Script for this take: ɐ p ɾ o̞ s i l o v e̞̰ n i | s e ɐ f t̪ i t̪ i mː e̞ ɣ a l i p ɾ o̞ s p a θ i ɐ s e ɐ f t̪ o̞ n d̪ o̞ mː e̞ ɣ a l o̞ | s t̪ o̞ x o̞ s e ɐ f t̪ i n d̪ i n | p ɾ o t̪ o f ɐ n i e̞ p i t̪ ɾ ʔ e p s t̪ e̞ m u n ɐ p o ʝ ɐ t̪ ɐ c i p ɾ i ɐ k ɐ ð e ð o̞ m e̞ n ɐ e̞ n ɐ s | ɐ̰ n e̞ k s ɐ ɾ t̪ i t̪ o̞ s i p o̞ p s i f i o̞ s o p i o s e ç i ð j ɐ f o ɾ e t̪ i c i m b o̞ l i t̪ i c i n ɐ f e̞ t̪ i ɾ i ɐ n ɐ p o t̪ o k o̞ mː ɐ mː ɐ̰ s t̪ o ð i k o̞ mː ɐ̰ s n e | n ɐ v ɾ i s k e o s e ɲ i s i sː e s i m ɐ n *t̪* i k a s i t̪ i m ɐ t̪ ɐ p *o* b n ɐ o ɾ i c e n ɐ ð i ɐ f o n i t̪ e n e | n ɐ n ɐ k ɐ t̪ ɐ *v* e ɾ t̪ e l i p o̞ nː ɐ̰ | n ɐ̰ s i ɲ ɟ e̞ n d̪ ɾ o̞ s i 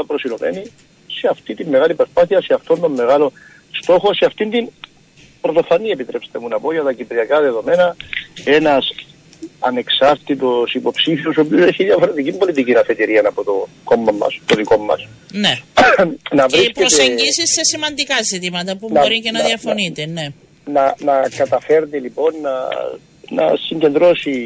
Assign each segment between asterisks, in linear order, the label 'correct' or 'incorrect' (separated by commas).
incorrect, incorrect, incorrect